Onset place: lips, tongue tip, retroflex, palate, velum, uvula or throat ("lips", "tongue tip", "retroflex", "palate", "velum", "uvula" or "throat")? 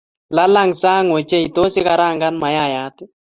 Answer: tongue tip